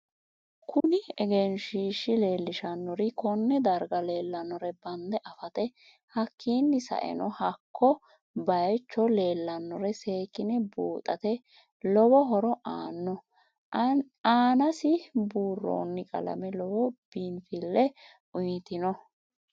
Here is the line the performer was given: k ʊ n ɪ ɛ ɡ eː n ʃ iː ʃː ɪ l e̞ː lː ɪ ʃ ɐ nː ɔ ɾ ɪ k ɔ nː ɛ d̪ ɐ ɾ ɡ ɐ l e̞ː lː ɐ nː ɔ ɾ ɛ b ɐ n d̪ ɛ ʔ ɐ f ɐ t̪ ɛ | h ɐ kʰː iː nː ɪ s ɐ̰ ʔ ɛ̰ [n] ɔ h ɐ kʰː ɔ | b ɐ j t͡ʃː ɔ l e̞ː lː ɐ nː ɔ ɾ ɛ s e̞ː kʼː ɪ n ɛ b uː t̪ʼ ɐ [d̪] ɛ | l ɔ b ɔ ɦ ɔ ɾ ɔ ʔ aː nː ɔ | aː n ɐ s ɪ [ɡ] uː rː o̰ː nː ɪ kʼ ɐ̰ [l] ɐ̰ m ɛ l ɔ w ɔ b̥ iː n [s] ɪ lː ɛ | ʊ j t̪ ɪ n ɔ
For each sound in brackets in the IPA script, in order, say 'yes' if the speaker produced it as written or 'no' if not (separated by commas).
yes, no, no, yes, no